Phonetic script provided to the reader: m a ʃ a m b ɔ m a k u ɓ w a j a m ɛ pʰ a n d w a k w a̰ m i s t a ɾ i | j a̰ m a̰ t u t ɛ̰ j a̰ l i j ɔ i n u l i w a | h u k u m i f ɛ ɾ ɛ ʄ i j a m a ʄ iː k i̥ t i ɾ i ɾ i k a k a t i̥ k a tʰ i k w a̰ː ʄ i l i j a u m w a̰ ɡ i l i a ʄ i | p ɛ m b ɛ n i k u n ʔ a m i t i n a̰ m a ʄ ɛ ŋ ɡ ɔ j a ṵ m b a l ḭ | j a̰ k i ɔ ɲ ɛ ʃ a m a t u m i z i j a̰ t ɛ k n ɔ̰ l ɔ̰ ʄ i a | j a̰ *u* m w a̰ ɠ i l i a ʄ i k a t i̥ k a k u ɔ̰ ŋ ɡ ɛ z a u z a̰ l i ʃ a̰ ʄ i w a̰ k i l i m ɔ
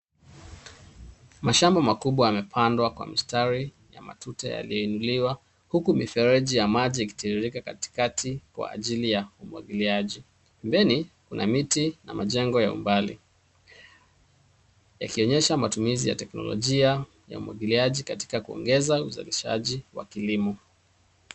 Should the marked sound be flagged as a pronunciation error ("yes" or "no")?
no